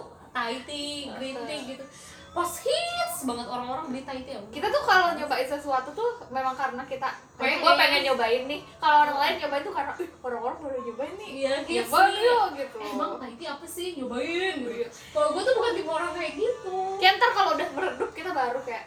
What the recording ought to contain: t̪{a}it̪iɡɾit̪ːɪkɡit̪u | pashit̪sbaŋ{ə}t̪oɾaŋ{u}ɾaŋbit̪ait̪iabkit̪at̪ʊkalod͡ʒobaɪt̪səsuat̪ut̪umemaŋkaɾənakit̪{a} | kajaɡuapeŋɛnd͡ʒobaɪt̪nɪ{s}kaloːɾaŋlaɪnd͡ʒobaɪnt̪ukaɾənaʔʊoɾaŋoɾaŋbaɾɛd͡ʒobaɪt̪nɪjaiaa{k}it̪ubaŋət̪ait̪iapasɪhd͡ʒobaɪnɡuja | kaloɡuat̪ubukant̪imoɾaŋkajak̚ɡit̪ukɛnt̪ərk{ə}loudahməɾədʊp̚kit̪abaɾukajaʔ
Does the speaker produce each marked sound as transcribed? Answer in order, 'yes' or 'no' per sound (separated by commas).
yes, yes, no, yes, no, no, no